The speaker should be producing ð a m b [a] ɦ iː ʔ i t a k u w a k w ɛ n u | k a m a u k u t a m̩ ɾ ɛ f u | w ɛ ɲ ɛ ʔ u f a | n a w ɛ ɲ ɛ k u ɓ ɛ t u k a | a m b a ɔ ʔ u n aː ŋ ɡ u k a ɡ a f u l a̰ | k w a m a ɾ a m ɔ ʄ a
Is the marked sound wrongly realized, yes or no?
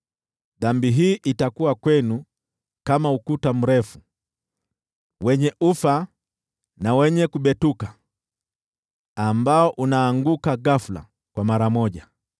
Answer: yes